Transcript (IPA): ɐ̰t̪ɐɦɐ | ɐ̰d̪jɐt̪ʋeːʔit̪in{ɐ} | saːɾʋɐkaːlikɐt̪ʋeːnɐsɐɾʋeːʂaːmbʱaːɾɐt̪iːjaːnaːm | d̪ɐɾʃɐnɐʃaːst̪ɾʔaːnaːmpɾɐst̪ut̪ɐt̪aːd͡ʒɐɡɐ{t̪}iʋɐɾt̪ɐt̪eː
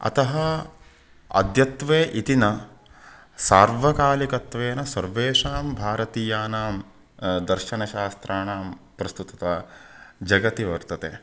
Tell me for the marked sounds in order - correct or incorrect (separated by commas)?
correct, correct